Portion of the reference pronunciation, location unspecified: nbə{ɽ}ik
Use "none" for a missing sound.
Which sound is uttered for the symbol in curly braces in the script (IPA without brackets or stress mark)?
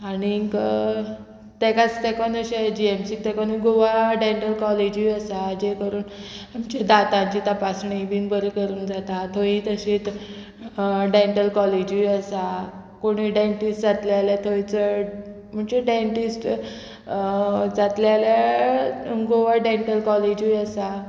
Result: ɾ